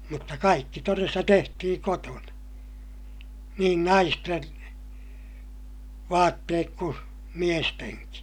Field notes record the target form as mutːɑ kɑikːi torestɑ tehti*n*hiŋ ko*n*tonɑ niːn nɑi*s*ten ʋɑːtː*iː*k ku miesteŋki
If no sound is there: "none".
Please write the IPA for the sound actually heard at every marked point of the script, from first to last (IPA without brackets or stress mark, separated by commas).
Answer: none, none, s, eː